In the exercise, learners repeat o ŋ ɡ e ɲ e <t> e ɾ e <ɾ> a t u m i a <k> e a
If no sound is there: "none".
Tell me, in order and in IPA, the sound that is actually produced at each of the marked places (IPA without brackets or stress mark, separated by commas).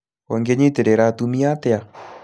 t, ɾ, t